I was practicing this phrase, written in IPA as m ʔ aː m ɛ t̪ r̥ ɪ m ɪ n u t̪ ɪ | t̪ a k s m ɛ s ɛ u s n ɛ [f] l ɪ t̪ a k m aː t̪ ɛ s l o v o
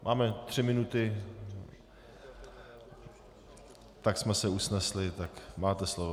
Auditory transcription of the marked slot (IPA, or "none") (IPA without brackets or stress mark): s